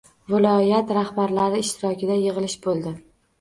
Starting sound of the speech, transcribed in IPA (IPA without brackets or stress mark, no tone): v